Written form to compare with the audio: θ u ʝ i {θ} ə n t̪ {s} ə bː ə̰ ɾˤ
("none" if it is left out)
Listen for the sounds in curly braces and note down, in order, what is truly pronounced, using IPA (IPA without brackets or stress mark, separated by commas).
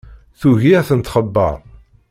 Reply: θ, χ